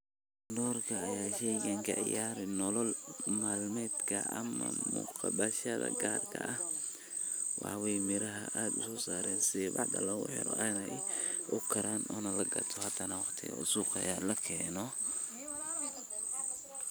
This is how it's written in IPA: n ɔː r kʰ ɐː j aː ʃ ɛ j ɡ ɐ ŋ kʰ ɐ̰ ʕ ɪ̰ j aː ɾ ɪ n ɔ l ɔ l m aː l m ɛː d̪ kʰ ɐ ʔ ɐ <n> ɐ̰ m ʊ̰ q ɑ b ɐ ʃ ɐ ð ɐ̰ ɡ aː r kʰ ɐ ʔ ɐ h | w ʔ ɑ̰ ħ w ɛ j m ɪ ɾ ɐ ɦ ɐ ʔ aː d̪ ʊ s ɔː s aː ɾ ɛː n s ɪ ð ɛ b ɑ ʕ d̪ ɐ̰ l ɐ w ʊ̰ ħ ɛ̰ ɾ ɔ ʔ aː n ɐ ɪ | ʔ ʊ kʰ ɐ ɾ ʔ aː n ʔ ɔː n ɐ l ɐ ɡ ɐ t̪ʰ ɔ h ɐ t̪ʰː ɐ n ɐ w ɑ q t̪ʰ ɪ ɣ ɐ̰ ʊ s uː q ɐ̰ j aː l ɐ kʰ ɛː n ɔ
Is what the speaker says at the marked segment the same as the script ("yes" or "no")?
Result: no